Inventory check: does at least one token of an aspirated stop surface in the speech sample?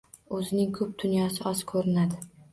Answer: yes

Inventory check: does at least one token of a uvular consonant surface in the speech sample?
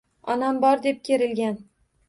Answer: no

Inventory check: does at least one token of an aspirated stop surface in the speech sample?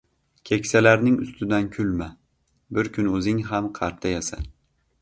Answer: yes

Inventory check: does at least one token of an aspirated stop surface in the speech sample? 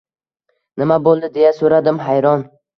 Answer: no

